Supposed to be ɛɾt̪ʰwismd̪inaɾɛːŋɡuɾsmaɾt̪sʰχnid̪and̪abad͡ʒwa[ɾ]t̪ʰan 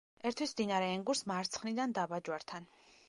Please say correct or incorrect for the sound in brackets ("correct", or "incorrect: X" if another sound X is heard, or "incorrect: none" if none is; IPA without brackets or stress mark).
correct